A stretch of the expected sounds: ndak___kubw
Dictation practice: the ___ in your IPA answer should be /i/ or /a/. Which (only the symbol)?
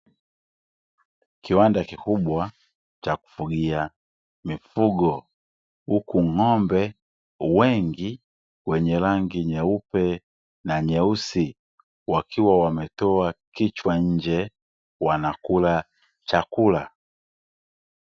i